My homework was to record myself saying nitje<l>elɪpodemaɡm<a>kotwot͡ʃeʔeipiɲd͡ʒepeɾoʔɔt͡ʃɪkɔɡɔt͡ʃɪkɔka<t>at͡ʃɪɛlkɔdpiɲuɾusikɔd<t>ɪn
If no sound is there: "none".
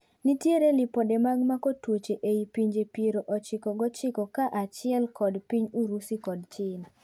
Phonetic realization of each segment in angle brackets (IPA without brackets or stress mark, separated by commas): ɾ, a, ʔ, t͡ʃ